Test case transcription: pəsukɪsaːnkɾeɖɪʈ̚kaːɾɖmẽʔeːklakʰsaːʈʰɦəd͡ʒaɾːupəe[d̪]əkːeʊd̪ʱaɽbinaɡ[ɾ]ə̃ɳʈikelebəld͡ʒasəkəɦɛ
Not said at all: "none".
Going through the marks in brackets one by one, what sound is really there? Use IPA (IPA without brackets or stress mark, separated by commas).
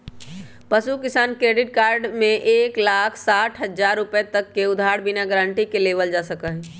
t̪, ɾ